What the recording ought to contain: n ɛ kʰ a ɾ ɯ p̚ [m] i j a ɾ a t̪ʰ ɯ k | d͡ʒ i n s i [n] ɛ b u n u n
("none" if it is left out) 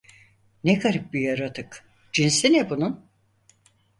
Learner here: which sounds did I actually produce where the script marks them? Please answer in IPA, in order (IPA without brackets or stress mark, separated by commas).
b, n